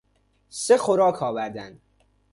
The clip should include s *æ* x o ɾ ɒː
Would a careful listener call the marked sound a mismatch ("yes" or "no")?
yes